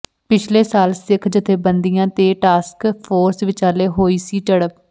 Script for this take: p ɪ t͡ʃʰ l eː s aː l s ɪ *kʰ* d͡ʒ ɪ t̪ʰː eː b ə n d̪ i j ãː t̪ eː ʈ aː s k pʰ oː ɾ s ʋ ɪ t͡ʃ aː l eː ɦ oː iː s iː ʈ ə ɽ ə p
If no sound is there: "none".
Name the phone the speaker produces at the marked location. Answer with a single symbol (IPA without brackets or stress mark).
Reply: kʰ